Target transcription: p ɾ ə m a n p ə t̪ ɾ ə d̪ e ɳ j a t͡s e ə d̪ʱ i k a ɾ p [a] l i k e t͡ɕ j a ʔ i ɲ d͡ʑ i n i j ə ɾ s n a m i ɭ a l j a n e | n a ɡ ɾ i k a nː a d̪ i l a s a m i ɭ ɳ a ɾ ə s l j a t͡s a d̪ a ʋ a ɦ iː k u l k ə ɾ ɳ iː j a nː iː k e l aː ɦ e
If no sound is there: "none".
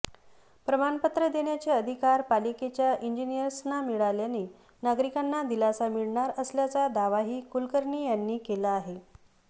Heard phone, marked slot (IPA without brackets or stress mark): a